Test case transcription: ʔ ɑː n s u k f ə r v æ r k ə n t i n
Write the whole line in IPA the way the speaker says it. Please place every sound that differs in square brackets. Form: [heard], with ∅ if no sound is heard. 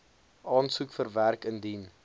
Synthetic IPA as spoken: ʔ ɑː n s u k f ə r v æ r k ə n [d] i n